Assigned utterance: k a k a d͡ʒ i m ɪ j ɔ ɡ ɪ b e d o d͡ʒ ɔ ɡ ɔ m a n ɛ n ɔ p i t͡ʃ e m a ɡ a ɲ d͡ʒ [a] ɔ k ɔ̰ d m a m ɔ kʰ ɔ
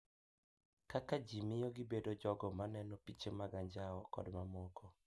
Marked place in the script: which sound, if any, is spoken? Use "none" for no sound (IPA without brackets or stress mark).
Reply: a